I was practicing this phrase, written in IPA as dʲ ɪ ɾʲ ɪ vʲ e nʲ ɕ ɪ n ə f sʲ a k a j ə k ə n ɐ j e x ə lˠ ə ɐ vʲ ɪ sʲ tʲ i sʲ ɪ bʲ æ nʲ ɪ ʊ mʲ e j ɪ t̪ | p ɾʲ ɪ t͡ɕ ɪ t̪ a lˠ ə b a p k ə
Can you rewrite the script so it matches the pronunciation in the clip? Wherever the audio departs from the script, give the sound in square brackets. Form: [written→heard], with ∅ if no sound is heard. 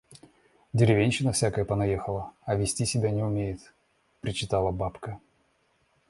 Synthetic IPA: dʲ ɪ ɾʲ ɪ vʲ e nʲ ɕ ɪ n ə f sʲ a k [a→ə] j ə [k→p] ə n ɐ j e x ə lˠ ə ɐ vʲ ɪ sʲ tʲ i sʲ ɪ bʲ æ nʲ ɪ ʊ mʲ e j ɪ t̪ | p ɾʲ ɪ t͡ɕ ɪ t̪ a lˠ ə b a p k ə